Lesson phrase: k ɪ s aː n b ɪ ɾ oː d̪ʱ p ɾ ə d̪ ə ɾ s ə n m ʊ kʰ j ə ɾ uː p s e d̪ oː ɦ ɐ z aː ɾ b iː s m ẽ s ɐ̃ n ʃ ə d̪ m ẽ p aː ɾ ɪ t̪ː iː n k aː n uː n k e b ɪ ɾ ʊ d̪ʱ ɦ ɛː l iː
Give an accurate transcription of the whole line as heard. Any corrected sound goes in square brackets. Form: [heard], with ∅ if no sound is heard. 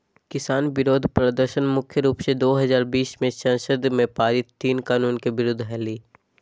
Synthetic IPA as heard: k ɪ s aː n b ɪ ɾ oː d̪ʱ p ɾ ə d̪ ə ɾ [ʃ] ə n m ʊ kʰ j ə ɾ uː p s e d̪ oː ɦ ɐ z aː ɾ b iː s m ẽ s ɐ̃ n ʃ ə d̪ m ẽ p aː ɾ ɪ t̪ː iː n k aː n uː n k e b ɪ ɾ ʊ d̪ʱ ɦ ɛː l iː